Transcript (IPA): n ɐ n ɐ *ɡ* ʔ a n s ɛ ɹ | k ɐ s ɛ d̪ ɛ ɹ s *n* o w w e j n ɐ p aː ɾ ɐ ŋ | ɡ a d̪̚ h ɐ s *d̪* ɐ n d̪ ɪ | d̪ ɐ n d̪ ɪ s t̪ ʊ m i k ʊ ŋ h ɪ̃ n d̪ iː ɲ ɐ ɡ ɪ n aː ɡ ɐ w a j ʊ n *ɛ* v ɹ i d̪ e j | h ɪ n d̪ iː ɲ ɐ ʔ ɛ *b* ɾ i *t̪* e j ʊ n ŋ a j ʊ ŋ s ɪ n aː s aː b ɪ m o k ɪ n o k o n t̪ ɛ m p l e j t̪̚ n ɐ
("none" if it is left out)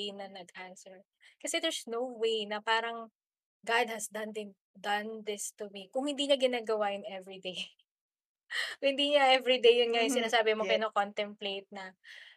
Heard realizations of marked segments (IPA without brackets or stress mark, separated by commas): ɡ, n, d̪, ɛ, v, d̪